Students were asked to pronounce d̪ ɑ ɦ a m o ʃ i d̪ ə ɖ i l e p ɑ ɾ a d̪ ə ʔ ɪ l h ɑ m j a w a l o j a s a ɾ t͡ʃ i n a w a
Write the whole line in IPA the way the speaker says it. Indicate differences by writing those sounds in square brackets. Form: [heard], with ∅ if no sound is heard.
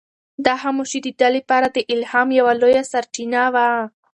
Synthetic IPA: d̪ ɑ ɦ a m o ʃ i d̪ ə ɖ [a] l e p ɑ ɾ a d̪ ə ʔ ɪ l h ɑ m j a w a l o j a s a ɾ t͡ʃ i n a w a